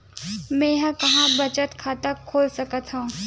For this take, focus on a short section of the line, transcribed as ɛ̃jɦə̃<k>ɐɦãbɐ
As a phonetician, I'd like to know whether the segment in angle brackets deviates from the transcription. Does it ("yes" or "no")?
no